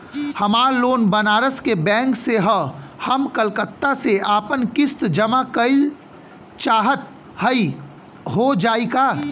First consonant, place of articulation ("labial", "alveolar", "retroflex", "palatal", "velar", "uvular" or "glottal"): glottal